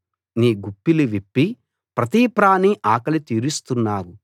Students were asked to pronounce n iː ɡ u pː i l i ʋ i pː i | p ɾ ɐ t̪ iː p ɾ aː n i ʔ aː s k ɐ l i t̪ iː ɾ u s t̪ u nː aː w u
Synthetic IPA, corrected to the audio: n iː ɡ u pː i l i ʋ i pː i | p ɾ ɐ t̪ iː p ɾ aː n i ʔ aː k ɐ l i t̪ iː ɾ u s t̪ u nː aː w u